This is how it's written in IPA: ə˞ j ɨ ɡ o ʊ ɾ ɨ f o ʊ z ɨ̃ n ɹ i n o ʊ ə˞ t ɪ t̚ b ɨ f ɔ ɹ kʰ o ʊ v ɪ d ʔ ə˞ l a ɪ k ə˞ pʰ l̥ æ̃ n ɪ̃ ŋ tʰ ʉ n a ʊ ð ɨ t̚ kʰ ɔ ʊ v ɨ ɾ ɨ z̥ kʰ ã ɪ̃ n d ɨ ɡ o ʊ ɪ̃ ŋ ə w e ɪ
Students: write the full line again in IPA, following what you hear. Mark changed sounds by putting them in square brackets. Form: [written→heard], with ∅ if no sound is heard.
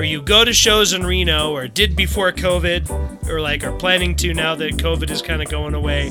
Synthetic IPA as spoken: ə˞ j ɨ ɡ o ʊ ɾ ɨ [f→ʃ] o ʊ z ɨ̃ n ɹ i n o ʊ ə˞ [t→d] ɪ [t̚→d̚] b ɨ f ɔ ɹ kʰ o ʊ v ɪ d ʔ ə˞ l a ɪ k ə˞ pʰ l̥ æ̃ n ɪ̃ ŋ tʰ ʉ n a ʊ ð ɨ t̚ kʰ [ɔ→o] ʊ v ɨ ɾ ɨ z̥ kʰ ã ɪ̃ n d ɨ ɡ o ʊ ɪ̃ ŋ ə w e ɪ